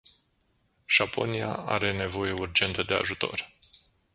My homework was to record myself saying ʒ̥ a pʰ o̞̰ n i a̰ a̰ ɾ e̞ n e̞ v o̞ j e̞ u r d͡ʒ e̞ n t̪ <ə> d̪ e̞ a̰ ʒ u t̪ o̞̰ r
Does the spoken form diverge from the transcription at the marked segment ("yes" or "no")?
no